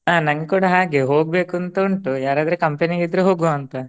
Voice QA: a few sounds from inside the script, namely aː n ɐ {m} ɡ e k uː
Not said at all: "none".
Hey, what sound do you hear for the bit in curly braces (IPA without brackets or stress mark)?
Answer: ŋ